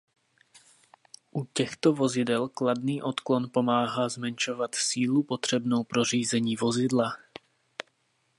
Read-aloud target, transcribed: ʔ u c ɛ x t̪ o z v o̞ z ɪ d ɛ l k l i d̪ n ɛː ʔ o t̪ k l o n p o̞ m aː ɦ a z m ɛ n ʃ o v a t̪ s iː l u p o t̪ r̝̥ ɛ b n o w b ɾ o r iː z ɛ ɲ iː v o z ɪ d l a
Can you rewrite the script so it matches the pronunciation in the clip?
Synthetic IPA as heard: ʔ u c ɛ x t̪ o v o̞ z ɪ d ɛ l k l a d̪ n iː ʔ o t̪ k l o n p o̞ m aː ɦ a z m ɛ n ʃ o v a t̪ s iː l u p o t̪ r̝̥ ɛ b n o w p ɾ o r iː z ɛ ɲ iː v o z ɪ d l a